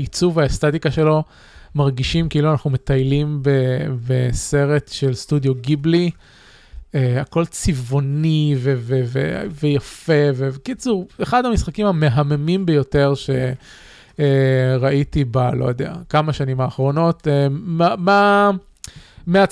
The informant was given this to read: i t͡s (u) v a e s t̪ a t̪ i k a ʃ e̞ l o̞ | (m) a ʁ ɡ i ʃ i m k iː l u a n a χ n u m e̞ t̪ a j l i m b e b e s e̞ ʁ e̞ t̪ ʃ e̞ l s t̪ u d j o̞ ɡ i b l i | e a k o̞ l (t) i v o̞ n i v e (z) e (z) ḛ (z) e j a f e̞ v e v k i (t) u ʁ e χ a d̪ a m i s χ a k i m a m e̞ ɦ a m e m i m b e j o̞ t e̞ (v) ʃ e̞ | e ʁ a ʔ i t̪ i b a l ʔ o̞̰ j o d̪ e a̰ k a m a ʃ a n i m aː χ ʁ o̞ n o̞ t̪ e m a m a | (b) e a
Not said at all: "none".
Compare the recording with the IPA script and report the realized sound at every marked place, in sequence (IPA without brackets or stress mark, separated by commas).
u, m, t͡s, v, v, v, t͡s, ʁ, m